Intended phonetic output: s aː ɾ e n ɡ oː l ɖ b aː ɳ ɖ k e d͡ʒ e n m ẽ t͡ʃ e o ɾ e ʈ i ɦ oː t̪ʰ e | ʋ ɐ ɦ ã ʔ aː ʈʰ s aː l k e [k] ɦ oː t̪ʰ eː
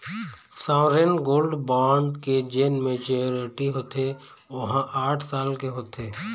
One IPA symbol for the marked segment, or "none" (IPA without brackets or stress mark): none